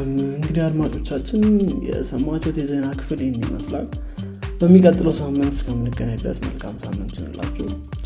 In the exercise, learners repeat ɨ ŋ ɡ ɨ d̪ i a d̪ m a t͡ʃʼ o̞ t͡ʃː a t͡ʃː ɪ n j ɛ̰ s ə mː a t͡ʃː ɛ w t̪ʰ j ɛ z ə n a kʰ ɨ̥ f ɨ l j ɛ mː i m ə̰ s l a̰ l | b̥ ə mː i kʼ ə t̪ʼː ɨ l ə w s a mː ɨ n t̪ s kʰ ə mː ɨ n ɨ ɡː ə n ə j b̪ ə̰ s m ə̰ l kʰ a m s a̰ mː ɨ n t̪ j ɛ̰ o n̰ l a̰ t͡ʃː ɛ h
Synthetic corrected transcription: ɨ ŋ ɡ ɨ d̪ i a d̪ m a t͡ʃʼ o̞ t͡ʃː a t͡ʃː ɪ n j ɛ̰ s ə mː a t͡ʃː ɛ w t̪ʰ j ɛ z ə n a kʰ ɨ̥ f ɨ l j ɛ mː i m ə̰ s l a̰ l | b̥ ə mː i kʼ ə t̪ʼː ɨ l ə w s a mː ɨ n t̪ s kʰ ə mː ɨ n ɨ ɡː ə n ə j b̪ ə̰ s m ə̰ l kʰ a m s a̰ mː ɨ n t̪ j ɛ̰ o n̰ l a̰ t͡ʃː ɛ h